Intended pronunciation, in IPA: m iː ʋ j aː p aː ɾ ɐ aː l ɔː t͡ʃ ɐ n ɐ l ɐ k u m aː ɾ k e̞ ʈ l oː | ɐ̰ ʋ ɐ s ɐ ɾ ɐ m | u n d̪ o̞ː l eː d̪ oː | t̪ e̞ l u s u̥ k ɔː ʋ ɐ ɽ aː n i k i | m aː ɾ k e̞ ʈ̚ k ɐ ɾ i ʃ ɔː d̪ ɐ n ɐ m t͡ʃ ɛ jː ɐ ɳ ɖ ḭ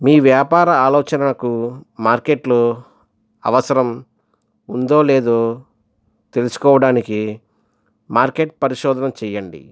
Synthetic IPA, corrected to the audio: m iː ʋ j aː p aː ɾ ɐ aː l ɔː t͡ʃ ɐ n ɐ l ɐ k u m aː ɾ k e̞ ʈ l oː | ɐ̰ ʋ ɐ s ɐ ɾ ɐ m | u n d̪ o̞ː l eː d̪ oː | t̪ e̞ l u s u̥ k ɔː ʋ ɐ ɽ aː n i k i | m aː ɾ k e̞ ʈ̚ p ɐ ɾ i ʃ ɔː d̪ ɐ n ɐ m t͡ʃ ɛ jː ɐ ɳ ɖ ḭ